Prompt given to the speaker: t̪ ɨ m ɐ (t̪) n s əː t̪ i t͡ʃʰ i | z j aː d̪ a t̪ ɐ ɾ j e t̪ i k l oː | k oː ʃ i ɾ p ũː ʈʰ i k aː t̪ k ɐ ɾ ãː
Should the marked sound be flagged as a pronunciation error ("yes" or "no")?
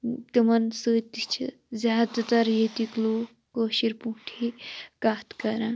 yes